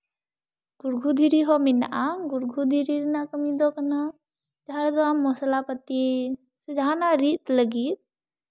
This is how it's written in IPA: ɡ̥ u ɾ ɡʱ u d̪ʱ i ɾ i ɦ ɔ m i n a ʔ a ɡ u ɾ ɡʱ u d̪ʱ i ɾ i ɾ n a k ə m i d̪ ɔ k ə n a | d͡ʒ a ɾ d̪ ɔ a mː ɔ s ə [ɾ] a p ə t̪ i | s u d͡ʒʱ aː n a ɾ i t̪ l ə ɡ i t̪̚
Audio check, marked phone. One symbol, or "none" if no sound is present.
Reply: l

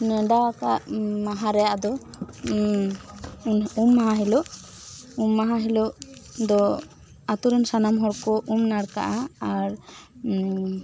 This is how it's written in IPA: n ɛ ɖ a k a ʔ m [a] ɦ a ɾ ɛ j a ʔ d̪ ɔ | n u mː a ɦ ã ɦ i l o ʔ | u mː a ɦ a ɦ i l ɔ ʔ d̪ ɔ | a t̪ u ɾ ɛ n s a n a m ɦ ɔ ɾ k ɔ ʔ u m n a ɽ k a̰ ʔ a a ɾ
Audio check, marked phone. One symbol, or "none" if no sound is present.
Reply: a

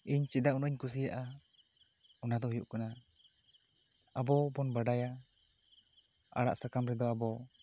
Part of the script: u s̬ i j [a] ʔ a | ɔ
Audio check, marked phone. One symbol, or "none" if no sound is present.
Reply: a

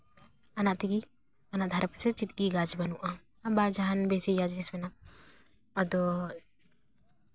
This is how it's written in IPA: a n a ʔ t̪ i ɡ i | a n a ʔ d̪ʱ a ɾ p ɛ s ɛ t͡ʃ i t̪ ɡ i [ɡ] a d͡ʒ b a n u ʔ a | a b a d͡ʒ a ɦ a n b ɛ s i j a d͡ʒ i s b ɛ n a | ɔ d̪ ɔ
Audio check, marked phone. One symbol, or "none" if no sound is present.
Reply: ɡ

